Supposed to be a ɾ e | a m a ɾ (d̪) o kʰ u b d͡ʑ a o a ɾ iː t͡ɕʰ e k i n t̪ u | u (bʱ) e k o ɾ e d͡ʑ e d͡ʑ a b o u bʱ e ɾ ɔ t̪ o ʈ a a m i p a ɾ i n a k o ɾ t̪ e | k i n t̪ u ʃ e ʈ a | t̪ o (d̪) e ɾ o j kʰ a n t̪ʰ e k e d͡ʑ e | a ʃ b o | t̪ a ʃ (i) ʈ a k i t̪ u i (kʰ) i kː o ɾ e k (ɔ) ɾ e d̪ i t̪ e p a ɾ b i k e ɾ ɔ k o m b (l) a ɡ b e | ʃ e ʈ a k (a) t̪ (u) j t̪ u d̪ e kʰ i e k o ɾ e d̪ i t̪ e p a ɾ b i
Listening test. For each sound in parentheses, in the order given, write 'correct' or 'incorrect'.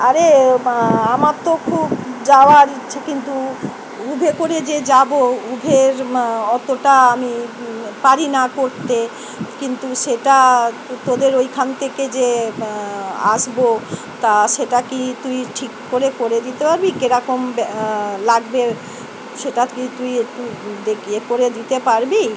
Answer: incorrect, correct, correct, incorrect, incorrect, incorrect, correct, incorrect, correct

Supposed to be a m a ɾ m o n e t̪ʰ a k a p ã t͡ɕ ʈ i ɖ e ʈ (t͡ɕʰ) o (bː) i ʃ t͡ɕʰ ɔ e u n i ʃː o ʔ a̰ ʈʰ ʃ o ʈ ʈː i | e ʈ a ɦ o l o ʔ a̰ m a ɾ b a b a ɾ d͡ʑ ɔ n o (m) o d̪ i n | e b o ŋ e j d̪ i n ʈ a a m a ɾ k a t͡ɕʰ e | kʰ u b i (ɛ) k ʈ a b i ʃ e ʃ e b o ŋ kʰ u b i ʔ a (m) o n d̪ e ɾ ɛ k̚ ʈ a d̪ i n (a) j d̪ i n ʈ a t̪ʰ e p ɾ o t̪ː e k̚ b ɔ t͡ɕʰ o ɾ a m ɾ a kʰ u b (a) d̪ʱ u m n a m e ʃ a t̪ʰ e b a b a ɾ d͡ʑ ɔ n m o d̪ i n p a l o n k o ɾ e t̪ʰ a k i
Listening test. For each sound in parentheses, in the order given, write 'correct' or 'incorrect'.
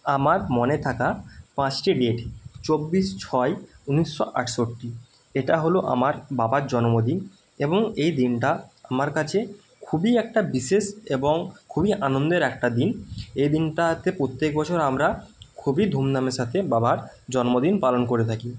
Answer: incorrect, correct, correct, correct, incorrect, incorrect, incorrect

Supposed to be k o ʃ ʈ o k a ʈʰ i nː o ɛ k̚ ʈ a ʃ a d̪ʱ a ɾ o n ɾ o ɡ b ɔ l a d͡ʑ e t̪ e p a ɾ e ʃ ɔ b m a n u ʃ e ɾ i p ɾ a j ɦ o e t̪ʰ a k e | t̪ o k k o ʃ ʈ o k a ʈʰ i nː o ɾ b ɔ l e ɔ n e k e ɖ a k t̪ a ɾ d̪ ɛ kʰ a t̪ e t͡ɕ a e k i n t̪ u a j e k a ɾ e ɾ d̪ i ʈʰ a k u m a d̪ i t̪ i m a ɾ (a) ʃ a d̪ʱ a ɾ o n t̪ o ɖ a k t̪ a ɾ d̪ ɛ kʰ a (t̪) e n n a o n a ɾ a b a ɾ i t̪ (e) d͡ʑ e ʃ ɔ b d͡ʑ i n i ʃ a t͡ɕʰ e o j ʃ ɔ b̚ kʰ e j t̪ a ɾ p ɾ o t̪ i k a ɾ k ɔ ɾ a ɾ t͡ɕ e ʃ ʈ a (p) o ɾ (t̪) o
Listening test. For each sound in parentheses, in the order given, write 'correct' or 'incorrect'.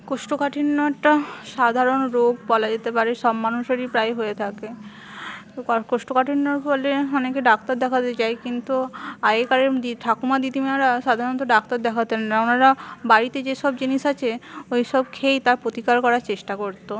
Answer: correct, correct, correct, incorrect, correct

